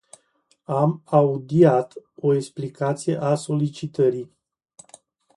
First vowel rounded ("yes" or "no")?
no